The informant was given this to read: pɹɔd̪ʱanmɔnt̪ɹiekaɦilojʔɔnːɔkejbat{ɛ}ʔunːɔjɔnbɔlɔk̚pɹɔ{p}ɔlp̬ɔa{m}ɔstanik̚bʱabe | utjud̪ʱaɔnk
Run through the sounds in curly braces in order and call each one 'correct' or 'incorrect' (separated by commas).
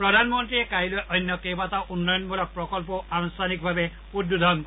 incorrect, incorrect, incorrect